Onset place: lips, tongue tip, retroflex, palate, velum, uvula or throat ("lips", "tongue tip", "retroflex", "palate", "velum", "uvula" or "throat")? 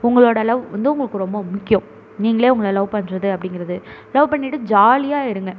velum